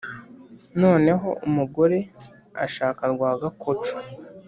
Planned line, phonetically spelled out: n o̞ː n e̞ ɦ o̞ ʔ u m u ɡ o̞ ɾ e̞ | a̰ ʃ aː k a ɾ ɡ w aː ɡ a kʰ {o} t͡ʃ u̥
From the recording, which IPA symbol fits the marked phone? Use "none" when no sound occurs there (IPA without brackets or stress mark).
o